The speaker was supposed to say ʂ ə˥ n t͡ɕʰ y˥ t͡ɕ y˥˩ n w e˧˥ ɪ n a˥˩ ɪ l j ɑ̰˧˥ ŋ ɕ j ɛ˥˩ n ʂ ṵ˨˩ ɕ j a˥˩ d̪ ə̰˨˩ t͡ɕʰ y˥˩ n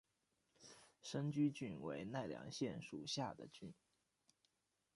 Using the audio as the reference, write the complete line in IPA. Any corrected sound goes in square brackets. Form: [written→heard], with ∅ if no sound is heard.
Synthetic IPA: ʂ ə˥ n [t͡ɕʰ→t͡ɕ] y˥ t͡ɕ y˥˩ n w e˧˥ ɪ n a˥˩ ɪ l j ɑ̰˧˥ ŋ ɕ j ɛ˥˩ n ʂ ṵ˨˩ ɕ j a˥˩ d̪ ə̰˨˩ [t͡ɕʰ→t͡ɕ] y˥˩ n

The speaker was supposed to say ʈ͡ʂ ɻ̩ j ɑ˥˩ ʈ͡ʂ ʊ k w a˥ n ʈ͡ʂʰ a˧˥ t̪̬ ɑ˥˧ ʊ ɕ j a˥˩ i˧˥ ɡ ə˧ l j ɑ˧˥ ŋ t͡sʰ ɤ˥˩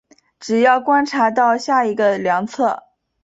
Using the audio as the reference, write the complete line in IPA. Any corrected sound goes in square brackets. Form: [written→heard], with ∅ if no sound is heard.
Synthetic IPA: ʈ͡ʂ ɻ̩ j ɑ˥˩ [ʈ͡ʂ→∅] ʊ k w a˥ n ʈ͡ʂʰ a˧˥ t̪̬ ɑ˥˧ ʊ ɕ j a˥˩ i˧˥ ɡ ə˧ l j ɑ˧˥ ŋ t͡sʰ ɤ˥˩

